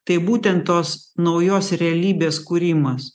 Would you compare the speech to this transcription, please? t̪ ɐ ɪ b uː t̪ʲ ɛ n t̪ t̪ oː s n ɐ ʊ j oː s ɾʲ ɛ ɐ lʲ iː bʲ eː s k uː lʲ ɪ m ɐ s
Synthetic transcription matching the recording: t̪ ɐ ɪ b uː t̪ʲ ɛ n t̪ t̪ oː s n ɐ ʊ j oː s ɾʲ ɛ ɐ lʲ iː bʲ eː s k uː ɾʲ ɪ m ɐ s